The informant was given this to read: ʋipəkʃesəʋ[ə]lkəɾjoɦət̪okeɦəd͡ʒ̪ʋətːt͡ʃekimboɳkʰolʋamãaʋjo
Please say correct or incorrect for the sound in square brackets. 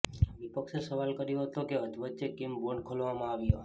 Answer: incorrect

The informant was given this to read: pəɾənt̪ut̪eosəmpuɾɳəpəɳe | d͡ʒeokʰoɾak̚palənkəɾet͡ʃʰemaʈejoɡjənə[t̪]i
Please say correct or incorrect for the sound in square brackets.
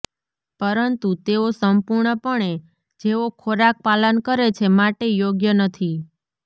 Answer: incorrect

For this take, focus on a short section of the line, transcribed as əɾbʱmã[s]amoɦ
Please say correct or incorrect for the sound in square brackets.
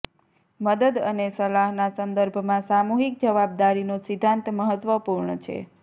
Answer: correct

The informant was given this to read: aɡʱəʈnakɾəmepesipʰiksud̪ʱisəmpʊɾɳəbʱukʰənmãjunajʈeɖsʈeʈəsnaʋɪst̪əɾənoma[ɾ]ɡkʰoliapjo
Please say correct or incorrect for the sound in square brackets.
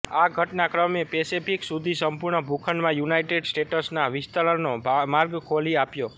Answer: correct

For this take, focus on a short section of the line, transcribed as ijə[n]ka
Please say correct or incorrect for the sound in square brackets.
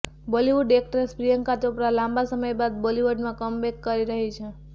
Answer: incorrect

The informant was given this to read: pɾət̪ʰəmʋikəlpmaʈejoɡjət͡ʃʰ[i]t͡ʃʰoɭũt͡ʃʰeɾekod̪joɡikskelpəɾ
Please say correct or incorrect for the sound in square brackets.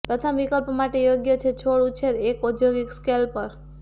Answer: incorrect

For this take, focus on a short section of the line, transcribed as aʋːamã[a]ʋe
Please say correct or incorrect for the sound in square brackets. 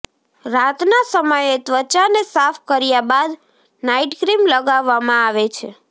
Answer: correct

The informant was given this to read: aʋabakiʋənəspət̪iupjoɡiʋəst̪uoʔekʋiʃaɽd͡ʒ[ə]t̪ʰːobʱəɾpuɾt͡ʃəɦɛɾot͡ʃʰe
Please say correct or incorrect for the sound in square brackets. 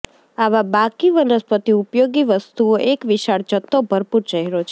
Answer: correct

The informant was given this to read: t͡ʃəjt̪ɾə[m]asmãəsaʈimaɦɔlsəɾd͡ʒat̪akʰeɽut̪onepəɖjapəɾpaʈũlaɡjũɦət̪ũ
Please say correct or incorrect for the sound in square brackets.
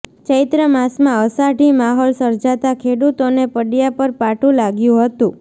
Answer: correct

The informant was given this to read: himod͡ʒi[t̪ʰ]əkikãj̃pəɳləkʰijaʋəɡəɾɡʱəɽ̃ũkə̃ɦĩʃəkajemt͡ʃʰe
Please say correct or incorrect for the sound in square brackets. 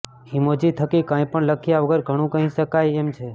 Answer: correct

